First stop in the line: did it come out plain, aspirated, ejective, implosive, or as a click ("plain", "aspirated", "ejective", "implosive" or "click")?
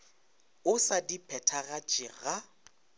plain